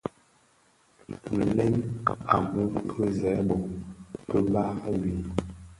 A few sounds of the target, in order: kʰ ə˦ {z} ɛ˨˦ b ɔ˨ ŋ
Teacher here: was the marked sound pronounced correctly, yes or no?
yes